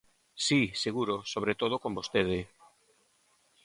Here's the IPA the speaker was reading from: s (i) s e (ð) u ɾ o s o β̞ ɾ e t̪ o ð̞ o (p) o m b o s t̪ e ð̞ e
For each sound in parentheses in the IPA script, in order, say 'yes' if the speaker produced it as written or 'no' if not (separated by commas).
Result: yes, no, no